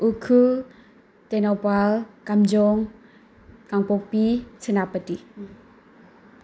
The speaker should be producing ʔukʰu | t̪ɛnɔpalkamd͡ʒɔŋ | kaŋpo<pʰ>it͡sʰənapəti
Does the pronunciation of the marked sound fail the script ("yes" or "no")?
yes